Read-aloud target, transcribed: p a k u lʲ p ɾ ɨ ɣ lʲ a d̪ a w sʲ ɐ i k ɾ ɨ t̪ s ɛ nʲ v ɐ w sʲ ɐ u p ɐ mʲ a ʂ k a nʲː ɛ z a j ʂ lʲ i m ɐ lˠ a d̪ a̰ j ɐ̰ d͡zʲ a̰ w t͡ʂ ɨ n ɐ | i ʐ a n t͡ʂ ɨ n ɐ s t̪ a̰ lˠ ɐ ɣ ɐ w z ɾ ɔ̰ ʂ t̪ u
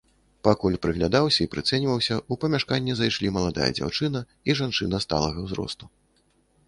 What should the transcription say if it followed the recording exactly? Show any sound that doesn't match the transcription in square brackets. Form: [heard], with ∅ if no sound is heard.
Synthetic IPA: p a k u lʲ p ɾ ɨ ɣ lʲ a d̪ a w sʲ ɐ i [p] ɾ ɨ t̪ s ɛ nʲ v ɐ w sʲ ɐ u p ɐ mʲ a ʂ k a nʲː ɛ z a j ʂ lʲ i m ɐ lˠ a d̪ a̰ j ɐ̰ d͡zʲ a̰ w t͡ʂ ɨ n ɐ | i ʐ a n t͡ʂ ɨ n ɐ s t̪ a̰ lˠ ɐ ɣ ɐ w z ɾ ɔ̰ [s] t̪ u